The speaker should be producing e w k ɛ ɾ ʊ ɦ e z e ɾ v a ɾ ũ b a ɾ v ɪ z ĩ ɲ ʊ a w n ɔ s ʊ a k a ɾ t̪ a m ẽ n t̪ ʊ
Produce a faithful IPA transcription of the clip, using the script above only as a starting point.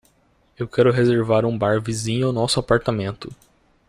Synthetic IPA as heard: e w k ɛ ɾ ʊ ɦ e z e ɾ v a ɾ ũ b a ɾ v i z ĩ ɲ ʊ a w n ɔ s ʊ a p a ɾ t̪ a m ẽ n t̪ ʊ